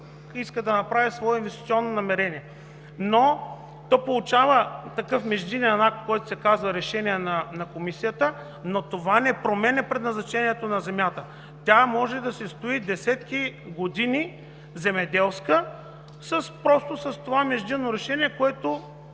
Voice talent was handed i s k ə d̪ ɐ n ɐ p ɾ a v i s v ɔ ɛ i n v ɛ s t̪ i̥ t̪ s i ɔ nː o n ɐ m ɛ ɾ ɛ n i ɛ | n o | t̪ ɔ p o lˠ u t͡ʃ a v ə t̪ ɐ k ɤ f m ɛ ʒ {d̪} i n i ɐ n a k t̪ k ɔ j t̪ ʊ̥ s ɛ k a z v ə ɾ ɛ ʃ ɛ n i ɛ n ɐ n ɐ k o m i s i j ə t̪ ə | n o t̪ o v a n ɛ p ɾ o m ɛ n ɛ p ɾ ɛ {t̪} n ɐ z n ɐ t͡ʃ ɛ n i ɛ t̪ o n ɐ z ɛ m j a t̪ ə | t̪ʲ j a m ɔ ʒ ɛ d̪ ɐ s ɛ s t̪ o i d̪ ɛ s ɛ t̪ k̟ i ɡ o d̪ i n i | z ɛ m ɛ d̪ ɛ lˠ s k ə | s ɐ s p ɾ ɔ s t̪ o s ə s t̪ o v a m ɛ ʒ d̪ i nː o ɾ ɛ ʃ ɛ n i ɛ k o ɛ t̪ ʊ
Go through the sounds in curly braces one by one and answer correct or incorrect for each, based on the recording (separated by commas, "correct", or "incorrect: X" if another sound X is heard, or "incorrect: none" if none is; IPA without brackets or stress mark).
correct, incorrect: d̪